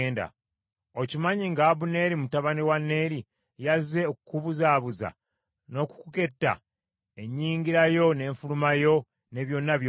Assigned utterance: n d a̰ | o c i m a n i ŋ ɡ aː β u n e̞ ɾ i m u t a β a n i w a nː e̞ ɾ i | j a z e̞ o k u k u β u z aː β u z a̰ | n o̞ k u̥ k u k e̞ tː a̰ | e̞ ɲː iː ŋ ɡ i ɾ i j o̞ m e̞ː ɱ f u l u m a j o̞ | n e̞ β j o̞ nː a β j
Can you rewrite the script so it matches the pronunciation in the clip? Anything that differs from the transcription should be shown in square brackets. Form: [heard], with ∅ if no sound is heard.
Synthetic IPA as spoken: n d a̰ | o c i m a [ɲ] i ŋ ɡ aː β u n e̞ ɾ i m u t a β a n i w a nː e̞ ɾ i | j a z e̞ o k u k u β u z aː β u z a̰ | n o̞ k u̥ k u k e̞ tː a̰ | e̞ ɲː iː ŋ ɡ i ɾ [a] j o̞ [n] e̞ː ɱ f u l u m a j o̞ | n e̞ β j o̞ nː a β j